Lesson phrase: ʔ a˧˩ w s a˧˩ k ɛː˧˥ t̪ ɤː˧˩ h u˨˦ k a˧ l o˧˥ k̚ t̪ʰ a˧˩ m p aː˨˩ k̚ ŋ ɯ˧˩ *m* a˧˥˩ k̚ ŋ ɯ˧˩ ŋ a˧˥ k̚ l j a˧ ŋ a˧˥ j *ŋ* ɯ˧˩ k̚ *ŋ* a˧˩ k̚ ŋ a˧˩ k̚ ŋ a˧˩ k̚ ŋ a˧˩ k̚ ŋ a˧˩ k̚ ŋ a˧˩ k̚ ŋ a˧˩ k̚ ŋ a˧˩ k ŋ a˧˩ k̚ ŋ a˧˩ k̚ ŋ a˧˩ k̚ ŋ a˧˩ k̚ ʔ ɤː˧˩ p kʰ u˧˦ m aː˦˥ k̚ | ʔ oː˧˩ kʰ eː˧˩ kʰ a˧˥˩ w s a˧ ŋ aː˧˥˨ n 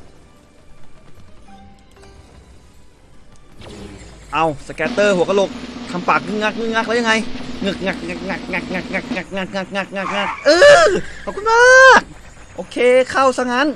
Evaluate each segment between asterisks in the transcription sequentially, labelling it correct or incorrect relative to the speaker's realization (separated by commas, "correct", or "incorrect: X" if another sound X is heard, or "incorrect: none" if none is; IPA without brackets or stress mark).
incorrect: ŋ, correct, correct